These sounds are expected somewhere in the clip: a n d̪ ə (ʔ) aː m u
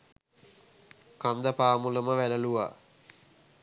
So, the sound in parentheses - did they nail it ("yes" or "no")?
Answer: no